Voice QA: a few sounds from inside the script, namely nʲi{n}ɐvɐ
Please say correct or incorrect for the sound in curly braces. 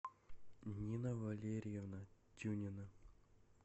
correct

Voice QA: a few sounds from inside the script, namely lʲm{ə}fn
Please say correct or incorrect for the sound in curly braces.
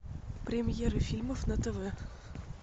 correct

